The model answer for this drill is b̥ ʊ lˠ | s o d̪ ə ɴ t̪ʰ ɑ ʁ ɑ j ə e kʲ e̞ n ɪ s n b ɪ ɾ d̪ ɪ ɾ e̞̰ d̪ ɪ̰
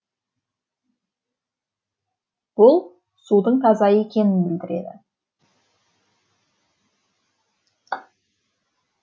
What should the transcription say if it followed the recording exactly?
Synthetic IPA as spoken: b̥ ʊ lˠ | s u d̪ ə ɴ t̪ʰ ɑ z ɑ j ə e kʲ e̞ n ɪ n b ɪ l d̪ ɪ ɾ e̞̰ d̪ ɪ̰